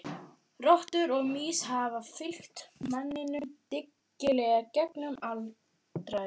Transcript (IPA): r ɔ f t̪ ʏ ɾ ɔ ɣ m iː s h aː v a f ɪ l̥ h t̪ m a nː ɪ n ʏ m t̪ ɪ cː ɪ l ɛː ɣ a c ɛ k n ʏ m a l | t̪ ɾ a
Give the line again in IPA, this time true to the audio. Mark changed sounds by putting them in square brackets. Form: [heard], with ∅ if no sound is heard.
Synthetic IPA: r ɔ [h] t̪ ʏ ɾ ɔ ɣ m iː s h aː v a f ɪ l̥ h t̪ m a nː ɪ n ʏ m t̪ ɪ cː ɪ l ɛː ɣ a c ɛ k n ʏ m a l | t̪ ɾ a

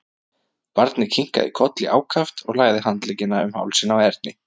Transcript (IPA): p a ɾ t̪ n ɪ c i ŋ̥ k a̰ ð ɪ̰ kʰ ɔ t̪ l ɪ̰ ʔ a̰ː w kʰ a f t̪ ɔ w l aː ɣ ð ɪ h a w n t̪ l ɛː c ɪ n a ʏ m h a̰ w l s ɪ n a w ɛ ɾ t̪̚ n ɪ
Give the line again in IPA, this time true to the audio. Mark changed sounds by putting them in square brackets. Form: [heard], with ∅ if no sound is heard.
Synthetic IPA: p a ɾ t̪ n ɪ [cʰ] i ŋ̥ k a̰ ð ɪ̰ kʰ ɔ t̪ l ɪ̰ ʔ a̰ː w kʰ a f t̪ ɔ [ɣ] l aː ɣ ð ɪ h a [∅] n t̪ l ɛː c ɪ n a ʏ m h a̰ w l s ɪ n a w ɛ ɾ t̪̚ n ɪ

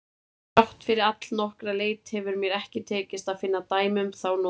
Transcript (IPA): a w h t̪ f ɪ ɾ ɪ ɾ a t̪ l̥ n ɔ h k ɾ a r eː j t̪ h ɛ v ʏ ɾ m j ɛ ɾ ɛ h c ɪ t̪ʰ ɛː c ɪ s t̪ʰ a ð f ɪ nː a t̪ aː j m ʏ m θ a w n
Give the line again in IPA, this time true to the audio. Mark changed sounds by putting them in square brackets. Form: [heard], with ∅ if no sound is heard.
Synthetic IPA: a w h t̪ f ɪ ɾ ɪ ɾ a t̪ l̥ n ɔ h k ɾ a [l] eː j t̪ h ɛ v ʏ ɾ m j ɛ ɾ ɛ h c ɪ t̪ʰ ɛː c ɪ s [t̪] a ð f ɪ nː a t̪ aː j m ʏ m θ a w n

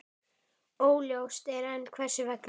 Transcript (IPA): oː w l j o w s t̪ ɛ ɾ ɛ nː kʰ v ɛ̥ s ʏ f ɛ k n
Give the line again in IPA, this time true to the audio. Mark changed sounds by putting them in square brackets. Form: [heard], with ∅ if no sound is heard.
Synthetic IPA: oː w l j o w s t̪ ɛ ɾ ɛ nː kʰ v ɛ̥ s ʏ [v] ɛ k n

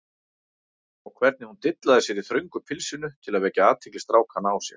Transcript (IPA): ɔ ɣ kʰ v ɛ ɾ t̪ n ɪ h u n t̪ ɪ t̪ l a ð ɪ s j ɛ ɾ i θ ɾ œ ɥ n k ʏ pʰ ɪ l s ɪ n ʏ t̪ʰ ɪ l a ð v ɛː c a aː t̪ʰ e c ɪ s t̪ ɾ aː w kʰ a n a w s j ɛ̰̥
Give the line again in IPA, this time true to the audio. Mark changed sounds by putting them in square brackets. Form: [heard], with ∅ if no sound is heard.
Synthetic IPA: ɔ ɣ kʰ v ɛ ɾ t̪ n ɪ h u n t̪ ɪ t̪ l a ð ɪ s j ɛ ɾ i θ ɾ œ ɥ [ŋ] k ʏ pʰ ɪ l s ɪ n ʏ t̪ʰ ɪ l a ð v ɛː c a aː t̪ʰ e c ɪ s t̪ ɾ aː w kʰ a n a w s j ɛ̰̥

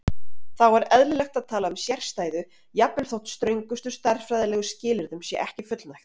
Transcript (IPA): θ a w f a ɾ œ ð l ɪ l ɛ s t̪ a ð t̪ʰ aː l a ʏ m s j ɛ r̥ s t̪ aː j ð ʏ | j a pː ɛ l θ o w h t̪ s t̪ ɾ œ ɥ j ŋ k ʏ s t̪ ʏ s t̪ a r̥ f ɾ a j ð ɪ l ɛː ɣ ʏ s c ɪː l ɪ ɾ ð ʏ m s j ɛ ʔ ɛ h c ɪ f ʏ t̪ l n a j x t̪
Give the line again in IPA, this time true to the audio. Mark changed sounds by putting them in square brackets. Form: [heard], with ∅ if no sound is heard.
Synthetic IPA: θ a w [v] a ɾ [ɛ] ð l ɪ l ɛ [x] t̪ a ð t̪ʰ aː l a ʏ m s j ɛ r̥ s t̪ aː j ð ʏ | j a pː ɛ l θ o w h t̪ s t̪ ɾ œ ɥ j ŋ k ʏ s t̪ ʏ s t̪ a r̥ f ɾ a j ð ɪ l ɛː ɣ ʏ s c ɪː l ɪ ɾ ð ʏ m s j ɛ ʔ ɛ h c ɪ f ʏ t̪ l n a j x t̪

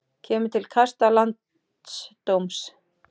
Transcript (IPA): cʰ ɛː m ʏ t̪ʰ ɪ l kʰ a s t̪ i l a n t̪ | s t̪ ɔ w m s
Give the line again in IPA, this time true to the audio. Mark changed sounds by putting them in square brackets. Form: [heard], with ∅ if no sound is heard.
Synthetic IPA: cʰ ɛː m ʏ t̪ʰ ɪ l kʰ a s t̪ [a] l a n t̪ | s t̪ [o] w m s

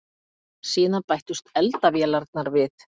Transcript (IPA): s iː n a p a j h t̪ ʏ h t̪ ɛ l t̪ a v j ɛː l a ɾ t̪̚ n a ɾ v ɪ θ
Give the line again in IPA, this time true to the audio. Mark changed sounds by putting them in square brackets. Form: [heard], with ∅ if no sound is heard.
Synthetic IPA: s iː n a p a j h t̪ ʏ [s] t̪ ɛ l t̪ a v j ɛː l a ɾ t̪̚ n a ɾ v ɪ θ

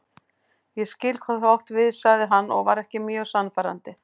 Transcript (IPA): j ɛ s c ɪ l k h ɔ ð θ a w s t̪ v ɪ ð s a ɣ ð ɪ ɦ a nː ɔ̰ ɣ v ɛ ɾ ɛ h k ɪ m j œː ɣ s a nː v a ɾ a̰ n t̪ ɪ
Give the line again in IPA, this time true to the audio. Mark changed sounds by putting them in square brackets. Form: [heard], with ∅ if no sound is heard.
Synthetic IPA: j ɛ s c ɪ l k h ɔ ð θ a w [h] t̪ v ɪ ð s a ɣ ð ɪ ɦ a nː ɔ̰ ɣ v [a] ɾ ɛ h [c] ɪ m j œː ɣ s a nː [f] a ɾ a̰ n t̪ ɪ

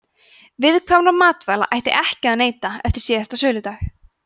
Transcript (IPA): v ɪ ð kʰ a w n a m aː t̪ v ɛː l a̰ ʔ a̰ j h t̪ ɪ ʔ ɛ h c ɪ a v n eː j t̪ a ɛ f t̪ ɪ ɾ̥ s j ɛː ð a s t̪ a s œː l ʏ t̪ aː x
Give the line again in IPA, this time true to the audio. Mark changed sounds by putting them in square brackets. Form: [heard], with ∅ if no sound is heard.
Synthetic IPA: v ɪ ð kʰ a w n a m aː t̪ v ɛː l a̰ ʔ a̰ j h t̪ ɪ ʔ ɛ h c ɪ a [ð] n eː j t̪ a ɛ f t̪ ɪ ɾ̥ s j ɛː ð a s t̪ a s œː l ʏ t̪ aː x

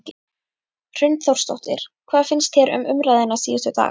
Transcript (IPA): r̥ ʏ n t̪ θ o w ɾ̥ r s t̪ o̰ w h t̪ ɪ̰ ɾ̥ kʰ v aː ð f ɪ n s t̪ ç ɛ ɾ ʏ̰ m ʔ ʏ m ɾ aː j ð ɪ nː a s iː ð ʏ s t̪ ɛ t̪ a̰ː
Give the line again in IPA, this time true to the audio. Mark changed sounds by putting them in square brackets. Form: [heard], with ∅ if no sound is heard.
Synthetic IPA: r̥ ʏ n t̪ θ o w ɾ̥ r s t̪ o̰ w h t̪ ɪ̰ ɾ̥ kʰ v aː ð f ɪ n s t̪ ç ɛ ɾ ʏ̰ m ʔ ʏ m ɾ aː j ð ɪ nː a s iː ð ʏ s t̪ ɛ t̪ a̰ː

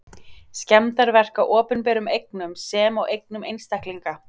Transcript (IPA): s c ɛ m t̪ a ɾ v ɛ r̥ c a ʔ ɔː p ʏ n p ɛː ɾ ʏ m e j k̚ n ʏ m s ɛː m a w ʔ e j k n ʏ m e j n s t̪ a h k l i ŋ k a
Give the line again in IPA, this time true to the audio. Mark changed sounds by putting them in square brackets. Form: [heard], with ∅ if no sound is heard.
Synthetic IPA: s c ɛ m t̪ a ɾ v ɛ r̥ [k] a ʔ ɔː p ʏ n p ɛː ɾ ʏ m e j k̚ n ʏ m s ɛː m a w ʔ e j k n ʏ m e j n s t̪ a h k l i ŋ k a

